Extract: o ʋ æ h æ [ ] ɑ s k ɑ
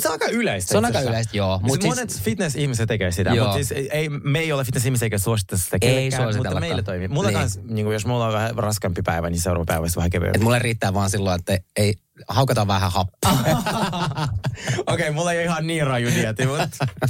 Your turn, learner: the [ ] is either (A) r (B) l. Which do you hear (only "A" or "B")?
A